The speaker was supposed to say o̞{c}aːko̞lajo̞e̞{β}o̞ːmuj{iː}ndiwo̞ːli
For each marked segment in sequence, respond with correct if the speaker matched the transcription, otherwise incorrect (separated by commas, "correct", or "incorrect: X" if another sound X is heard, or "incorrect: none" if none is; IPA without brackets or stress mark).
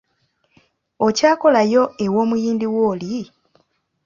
correct, incorrect: w, correct